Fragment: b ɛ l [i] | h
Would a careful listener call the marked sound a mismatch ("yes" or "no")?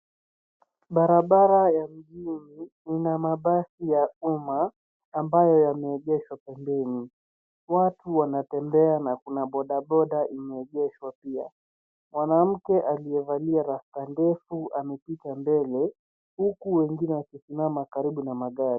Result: yes